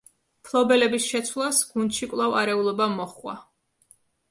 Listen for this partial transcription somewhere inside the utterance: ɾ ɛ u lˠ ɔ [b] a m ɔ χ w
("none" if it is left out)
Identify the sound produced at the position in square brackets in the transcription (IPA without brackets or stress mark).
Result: b